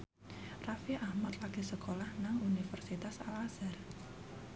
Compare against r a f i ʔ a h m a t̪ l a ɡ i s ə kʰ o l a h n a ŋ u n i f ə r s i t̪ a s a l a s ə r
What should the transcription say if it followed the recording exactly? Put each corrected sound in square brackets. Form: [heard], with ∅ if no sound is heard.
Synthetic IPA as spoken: r a f i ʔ a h m a t̪ l a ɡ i s ə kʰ o l a h n a ŋ u n i f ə r s i t̪ a s a l a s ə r

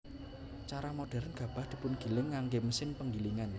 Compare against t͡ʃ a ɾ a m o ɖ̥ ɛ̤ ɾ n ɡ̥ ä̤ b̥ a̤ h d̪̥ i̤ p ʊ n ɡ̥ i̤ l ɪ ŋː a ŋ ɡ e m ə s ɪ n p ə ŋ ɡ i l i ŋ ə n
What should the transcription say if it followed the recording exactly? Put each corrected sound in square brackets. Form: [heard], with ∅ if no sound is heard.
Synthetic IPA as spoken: t͡ʃ a ɾ a m o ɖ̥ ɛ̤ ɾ n ɡ̥ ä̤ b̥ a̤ h d̪̥ i̤ p ʊ n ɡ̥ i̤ l ɪ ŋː a ŋ ɡ e m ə s ɪ n p ə ŋ ɡ i l i ŋ [a] n

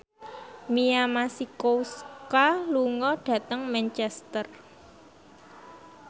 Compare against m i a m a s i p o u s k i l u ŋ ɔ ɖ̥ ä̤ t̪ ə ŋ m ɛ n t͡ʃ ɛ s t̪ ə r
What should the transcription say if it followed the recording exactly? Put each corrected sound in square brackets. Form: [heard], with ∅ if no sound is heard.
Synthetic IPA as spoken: m i a m a s i [k] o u s k [a] l u ŋ ɔ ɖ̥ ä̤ t̪ ə ŋ m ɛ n t͡ʃ ɛ s t̪ ə r

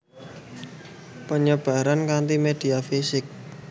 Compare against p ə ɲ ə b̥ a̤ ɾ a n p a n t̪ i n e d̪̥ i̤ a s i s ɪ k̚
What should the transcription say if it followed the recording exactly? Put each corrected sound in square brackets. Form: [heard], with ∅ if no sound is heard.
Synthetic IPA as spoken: p ə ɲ ə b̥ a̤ ɾ a n [k] a n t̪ i [m] e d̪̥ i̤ a [f] i s ɪ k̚

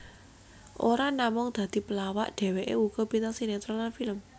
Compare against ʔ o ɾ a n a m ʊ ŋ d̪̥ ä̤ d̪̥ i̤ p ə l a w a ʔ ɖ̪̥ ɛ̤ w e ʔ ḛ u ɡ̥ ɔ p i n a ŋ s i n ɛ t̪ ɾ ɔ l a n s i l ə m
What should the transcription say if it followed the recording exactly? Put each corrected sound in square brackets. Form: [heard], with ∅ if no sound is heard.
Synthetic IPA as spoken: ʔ o ɾ a n a m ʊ ŋ d̪̥ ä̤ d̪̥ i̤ p ə l a w a ʔ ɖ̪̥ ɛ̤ w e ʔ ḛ u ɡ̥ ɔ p i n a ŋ s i n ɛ t̪ ɾ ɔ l a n [f] i l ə m

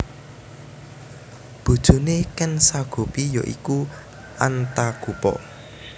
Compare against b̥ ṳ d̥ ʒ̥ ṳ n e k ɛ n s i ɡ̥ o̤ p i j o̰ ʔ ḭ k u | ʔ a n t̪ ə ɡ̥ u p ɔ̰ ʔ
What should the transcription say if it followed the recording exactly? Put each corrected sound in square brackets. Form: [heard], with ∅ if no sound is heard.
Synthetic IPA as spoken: b̥ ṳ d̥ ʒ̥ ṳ n e k ɛ n s [a] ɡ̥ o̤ p i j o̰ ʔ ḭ k u | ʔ a n t̪ [a] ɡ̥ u p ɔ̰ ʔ

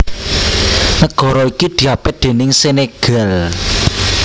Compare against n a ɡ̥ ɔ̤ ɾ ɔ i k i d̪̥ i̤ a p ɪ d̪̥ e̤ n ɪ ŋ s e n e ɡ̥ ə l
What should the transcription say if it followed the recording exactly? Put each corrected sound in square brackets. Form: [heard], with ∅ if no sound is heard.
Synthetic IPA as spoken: n [ə] ɡ̥ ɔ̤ ɾ ɔ i k i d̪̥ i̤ a p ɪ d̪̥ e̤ n ɪ ŋ s e n e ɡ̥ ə l

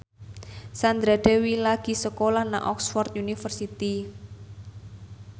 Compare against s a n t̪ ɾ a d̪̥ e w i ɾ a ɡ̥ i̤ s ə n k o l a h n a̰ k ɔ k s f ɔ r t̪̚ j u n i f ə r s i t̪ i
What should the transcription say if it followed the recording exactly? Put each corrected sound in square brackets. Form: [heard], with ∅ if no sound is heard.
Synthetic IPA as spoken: s a n [d̪] ɾ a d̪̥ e w i [l] a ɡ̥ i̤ s ə [∅] k o l a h n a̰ [ʔ] ɔ k s f ɔ r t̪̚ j u n i f ə r s i t̪ i

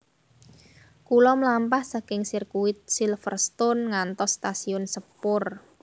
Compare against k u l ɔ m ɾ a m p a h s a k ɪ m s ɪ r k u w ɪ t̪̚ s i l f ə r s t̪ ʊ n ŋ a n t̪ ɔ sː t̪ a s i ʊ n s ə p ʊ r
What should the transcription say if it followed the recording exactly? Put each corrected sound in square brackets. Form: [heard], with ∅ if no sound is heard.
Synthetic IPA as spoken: k u l ɔ m [l] a m p a h s a k ɪ [ŋ] s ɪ r k u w ɪ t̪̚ s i l f ə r s t̪ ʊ n ŋ a n t̪ ɔ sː t̪ a s i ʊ n s ə p ʊ r

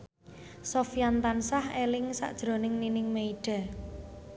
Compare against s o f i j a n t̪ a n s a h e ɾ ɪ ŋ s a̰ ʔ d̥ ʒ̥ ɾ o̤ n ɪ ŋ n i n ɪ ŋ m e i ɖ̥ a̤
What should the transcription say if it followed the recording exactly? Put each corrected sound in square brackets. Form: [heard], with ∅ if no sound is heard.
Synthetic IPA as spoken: s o f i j a n t̪ a n s a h e [l] ɪ ŋ s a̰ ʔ d̥ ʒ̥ ɾ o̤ n ɪ ŋ n i n ɪ ŋ m e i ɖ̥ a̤

